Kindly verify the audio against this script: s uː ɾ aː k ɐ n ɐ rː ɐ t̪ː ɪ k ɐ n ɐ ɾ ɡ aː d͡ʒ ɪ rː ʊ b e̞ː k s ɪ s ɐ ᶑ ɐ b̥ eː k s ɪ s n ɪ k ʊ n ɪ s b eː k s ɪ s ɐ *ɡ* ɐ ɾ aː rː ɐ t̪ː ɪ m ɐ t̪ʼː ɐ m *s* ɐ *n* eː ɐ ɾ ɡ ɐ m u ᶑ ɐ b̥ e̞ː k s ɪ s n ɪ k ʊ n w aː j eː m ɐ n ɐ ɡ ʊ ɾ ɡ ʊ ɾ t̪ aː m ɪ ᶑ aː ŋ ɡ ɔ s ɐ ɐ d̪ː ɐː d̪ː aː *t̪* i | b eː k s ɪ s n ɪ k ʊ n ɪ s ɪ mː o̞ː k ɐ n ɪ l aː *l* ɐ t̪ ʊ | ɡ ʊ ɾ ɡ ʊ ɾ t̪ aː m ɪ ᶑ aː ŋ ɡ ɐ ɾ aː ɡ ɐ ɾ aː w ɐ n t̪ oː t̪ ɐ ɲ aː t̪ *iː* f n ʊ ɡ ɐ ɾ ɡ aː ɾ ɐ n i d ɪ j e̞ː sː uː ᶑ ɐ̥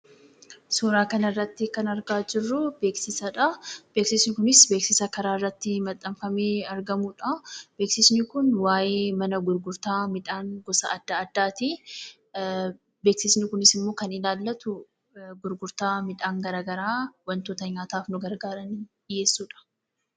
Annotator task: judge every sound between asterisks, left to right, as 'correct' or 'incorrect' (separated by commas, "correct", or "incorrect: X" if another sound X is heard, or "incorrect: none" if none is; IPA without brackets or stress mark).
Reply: incorrect: k, incorrect: f, incorrect: m, correct, incorrect: lː, incorrect: aː